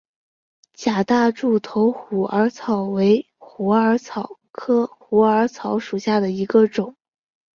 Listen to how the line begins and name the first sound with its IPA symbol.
t͡ɕ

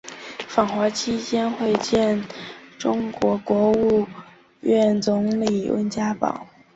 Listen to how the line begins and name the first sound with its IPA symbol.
f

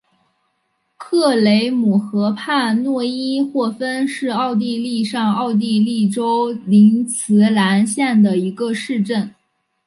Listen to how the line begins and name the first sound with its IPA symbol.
kʰ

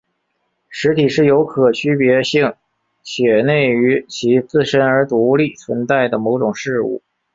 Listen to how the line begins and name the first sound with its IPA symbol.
ʂ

